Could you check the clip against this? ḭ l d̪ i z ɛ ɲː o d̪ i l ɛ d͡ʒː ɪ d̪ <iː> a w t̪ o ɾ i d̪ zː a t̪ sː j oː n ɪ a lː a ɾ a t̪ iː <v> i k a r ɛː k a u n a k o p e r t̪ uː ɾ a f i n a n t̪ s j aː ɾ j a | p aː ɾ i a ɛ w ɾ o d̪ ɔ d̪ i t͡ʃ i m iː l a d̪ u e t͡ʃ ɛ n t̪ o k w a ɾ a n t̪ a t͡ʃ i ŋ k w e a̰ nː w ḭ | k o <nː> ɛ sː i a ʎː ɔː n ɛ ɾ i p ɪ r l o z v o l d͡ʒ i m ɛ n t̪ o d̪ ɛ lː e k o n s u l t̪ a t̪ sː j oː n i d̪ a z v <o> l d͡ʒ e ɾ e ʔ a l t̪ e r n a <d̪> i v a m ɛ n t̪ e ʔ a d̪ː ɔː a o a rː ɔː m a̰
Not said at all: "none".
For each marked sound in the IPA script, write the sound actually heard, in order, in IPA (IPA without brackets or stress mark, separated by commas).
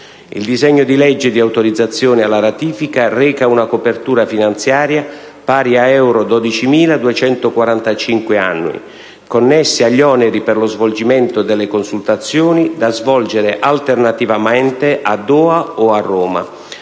i, f, nː, ɔ, t̪